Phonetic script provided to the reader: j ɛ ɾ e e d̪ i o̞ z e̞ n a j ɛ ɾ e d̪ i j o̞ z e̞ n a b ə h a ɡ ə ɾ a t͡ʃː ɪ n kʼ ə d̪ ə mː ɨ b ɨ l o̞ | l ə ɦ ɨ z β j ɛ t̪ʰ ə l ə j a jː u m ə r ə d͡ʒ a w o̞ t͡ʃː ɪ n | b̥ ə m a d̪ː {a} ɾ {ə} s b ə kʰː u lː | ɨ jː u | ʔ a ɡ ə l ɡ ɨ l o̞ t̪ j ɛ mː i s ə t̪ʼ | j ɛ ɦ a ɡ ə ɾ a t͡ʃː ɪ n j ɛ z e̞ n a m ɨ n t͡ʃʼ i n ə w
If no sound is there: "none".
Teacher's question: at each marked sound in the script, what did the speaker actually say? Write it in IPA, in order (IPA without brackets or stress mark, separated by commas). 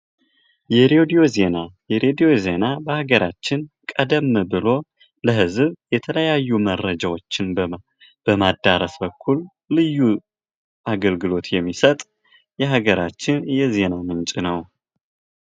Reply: a, ə